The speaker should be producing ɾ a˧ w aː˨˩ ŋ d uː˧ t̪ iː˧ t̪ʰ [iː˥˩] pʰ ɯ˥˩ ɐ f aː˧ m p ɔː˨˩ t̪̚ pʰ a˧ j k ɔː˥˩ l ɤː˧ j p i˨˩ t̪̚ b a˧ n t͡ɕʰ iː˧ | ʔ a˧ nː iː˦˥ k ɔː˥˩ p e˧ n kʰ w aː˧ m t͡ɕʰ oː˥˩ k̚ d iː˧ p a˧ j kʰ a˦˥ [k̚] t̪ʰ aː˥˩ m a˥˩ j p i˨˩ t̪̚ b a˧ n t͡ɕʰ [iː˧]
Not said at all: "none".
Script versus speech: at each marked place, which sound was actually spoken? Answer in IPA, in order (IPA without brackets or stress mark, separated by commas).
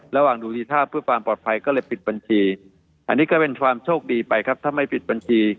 aː˥˩, p̚, iː˧